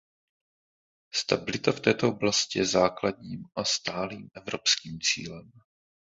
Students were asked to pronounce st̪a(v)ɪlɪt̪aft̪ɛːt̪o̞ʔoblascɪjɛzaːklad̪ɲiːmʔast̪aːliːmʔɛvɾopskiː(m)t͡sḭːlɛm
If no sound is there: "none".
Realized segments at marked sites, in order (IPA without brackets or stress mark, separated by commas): b, m